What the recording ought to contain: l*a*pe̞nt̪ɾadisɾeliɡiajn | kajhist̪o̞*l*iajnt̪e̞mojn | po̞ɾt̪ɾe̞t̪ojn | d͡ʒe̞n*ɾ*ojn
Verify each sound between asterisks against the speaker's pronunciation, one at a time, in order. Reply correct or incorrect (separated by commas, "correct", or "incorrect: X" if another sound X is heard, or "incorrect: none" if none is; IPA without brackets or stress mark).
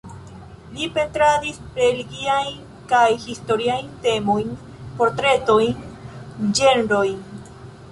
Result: incorrect: i, incorrect: ɾ, correct